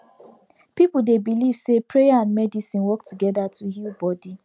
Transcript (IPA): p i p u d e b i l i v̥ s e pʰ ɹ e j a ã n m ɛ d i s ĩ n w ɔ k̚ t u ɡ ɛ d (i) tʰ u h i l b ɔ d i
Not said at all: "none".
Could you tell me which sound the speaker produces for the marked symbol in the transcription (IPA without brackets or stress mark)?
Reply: a